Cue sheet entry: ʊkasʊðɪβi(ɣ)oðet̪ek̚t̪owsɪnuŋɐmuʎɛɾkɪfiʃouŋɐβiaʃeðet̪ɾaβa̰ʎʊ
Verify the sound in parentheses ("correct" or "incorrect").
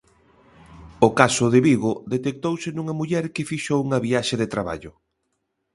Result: correct